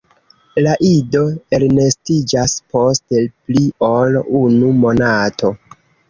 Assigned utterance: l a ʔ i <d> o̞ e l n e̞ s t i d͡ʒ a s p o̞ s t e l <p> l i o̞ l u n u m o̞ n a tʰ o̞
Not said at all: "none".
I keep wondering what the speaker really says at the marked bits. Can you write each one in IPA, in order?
d, p

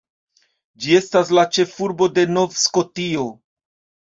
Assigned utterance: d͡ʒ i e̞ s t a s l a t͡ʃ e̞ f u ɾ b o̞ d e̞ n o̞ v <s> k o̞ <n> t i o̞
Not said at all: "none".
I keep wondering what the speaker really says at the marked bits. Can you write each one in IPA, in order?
s, none

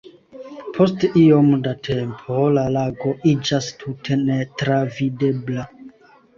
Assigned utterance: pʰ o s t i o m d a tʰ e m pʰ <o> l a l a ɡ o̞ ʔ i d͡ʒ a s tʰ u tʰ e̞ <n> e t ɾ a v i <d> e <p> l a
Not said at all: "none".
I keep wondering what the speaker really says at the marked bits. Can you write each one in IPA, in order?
o, n, d, b

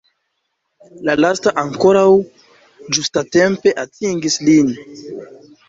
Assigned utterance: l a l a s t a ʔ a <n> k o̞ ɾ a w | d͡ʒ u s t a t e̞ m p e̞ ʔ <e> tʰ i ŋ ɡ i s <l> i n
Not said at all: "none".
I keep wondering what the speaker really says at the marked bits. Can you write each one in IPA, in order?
ŋ, a, l

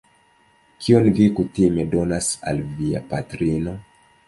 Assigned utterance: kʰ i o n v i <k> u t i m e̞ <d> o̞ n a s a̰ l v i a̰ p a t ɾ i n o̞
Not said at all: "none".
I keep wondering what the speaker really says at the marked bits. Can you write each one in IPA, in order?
k, d

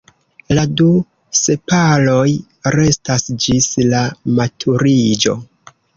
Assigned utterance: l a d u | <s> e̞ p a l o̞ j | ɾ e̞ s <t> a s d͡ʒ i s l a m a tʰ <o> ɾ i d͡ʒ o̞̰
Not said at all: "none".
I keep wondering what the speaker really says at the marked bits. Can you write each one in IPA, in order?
s, t, u

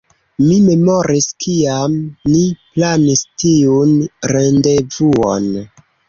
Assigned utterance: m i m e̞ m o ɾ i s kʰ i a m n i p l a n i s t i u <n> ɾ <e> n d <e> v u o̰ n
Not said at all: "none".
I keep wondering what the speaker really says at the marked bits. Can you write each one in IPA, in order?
n, e, e

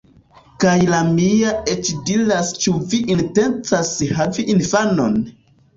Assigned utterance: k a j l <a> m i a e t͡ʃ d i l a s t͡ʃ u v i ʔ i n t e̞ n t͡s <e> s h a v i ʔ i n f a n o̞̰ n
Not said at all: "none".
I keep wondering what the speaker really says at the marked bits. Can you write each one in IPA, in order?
a, a

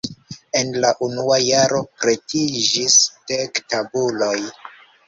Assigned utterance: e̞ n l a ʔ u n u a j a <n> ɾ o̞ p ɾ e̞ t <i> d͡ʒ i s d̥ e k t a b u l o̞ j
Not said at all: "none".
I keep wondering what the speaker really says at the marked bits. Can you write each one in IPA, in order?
none, i

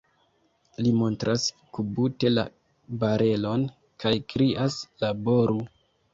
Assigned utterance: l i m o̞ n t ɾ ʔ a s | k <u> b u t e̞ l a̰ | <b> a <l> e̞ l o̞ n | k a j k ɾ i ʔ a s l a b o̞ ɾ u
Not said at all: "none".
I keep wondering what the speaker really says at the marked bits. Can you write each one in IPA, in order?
u, b, ɾ

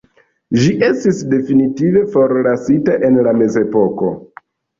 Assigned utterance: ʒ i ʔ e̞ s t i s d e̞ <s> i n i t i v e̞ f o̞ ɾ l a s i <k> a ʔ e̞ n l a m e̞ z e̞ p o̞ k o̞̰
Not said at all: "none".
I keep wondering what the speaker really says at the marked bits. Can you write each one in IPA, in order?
f, t

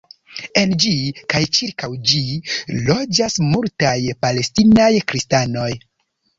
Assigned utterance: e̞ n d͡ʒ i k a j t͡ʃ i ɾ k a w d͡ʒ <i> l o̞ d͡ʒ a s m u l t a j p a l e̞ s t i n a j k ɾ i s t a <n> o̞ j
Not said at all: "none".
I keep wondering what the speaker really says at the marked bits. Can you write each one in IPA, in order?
i, n

